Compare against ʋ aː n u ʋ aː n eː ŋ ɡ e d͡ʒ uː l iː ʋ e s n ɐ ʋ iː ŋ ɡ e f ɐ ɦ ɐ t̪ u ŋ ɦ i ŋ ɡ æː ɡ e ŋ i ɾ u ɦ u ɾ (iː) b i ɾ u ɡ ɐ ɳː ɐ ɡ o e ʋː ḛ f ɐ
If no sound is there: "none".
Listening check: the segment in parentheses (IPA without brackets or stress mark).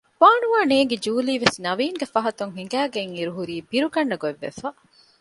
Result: iː